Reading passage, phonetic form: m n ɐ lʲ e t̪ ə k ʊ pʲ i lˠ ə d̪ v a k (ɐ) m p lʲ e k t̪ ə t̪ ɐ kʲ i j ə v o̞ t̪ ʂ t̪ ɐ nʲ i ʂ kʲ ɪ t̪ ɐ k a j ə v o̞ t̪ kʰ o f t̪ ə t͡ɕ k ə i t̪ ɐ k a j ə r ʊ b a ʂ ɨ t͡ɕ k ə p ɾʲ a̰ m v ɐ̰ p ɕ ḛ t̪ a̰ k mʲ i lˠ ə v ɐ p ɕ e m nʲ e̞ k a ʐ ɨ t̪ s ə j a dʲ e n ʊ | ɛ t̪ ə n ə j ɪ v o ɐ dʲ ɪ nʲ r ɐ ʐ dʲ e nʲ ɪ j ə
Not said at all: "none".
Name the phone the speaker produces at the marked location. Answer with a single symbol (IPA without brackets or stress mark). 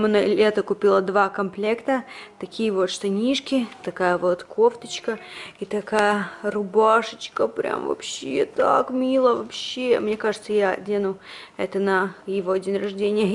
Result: ɐ